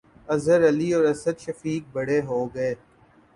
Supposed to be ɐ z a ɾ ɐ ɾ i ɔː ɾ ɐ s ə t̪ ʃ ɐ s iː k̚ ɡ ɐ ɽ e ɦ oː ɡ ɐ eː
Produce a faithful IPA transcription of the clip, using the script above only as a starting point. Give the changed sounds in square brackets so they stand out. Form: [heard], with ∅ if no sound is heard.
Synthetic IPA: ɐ z [ə] ɾ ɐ [l] i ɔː ɾ ɐ s ə [d̪] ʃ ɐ [f] iː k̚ [b] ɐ ɽ e ɦ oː ɡ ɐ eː